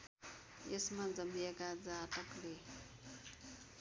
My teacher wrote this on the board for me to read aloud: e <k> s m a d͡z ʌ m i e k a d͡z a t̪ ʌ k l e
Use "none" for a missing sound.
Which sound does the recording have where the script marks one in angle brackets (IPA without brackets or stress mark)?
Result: none